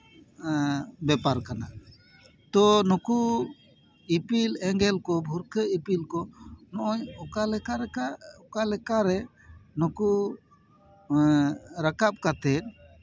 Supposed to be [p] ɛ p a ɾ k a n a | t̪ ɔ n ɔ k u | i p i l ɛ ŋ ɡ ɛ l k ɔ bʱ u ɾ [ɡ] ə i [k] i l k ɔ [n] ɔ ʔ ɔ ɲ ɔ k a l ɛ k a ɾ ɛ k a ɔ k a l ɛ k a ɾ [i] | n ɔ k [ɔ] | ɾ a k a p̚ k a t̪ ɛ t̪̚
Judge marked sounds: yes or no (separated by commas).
no, no, no, yes, no, no